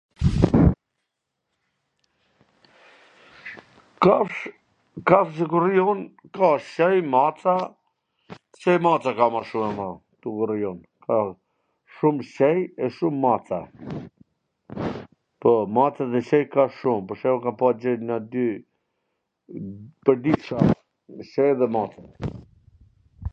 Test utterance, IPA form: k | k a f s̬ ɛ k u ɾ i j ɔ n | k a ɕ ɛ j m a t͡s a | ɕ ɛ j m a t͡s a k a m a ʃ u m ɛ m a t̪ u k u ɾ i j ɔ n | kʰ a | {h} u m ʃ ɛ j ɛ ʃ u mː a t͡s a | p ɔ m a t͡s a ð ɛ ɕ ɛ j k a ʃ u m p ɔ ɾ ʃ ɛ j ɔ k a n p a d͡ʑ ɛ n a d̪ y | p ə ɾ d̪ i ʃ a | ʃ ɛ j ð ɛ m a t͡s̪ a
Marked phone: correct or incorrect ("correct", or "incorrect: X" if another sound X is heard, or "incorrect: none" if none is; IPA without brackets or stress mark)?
incorrect: ʃ